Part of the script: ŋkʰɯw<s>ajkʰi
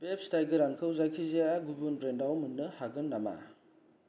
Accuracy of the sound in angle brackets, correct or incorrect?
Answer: incorrect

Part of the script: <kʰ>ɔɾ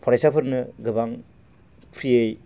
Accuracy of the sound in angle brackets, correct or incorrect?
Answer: incorrect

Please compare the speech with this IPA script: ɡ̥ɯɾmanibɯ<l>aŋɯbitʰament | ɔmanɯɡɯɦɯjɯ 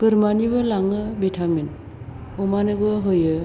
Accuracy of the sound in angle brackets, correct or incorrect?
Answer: correct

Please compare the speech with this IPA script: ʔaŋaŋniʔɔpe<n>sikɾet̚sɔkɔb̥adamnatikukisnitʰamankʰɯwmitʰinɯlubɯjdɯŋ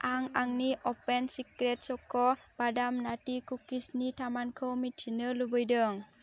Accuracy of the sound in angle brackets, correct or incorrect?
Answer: correct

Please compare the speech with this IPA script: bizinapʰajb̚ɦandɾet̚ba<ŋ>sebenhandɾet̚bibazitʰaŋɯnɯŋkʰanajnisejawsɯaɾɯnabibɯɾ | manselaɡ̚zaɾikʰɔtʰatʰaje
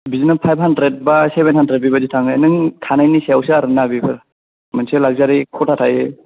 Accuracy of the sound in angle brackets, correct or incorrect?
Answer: incorrect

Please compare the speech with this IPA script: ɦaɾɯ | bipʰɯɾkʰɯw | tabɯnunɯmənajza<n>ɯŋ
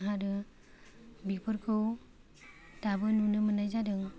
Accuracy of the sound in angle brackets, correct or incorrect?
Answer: incorrect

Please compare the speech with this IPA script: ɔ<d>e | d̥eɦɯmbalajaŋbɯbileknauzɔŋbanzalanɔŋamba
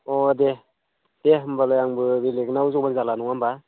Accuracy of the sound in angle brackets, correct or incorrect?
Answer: correct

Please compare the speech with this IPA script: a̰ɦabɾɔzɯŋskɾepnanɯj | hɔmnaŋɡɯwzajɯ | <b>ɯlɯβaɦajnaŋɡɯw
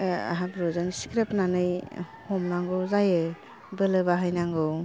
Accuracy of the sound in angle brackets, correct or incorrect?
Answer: correct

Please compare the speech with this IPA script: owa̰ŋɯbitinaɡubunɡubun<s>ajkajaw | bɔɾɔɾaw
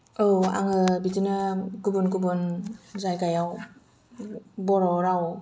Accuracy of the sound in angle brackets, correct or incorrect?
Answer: incorrect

